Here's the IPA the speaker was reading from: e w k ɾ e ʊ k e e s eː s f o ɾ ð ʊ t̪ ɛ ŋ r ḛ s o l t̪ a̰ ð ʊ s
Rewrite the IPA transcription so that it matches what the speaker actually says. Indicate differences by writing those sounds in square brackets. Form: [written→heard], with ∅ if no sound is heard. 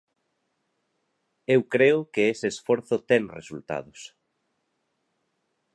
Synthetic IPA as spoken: e w k ɾ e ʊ k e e s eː s f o ɾ [ð→θ] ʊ t̪ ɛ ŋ r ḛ s [o→u] l t̪ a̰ ð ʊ s

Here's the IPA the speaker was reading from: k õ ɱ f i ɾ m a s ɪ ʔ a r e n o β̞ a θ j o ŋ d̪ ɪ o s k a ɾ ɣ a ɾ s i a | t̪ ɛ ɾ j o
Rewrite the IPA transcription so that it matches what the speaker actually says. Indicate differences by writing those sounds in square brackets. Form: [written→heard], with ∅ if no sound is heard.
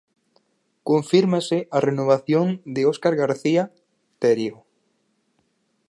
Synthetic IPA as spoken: k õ ɱ f i ɾ m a s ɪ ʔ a r e n o β̞ a θ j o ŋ d̪ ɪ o s k a ɾ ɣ a ɾ [s→θ] i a | t̪ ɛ ɾ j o

